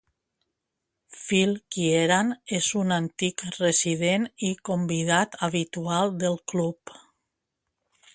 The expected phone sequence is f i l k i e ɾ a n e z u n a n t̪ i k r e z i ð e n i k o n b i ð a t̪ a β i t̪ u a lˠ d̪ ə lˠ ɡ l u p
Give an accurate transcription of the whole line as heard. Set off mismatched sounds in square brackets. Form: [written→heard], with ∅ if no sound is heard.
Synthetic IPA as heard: f i l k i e ɾ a n e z u n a n t̪ i k r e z i ð e n i k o [n→m] b i ð a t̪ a β i t̪ u a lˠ d̪ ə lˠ [ɡ→k] l u p